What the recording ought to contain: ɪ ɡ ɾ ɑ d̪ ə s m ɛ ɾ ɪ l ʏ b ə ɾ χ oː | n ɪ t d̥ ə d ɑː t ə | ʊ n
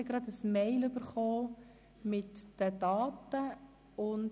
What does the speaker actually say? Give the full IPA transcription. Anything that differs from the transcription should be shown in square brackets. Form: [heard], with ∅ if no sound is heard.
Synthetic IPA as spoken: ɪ ɡ ɾ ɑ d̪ ə s m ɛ [∅] ɪ l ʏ b ə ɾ χ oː | [m] ɪ t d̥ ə d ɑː t ə | ʊ n